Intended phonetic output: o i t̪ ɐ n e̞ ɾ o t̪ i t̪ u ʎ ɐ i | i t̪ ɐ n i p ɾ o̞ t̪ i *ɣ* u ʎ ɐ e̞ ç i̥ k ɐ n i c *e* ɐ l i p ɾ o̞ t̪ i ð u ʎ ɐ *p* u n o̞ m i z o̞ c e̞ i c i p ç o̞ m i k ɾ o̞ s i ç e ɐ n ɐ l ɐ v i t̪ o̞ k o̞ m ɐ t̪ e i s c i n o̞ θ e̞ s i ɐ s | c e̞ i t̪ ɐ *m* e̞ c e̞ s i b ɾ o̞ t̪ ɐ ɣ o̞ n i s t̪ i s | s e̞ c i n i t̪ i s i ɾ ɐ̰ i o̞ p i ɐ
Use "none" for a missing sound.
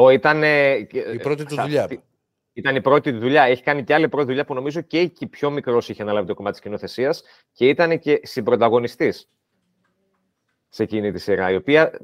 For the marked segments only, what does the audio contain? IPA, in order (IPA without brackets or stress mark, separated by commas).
ð, e, p, n